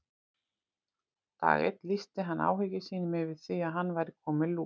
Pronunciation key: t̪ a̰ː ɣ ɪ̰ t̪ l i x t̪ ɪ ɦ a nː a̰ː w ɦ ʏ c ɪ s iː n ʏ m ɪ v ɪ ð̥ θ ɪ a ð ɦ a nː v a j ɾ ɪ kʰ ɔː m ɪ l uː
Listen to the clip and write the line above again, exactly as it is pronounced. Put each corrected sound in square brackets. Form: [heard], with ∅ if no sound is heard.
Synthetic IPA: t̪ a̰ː ɣ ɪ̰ t̪ l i [s] t̪ ɪ ɦ a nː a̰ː w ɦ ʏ c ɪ s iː n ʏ m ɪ v ɪ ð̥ θ [i] a ð ɦ a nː v a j ɾ ɪ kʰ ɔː m ɪ l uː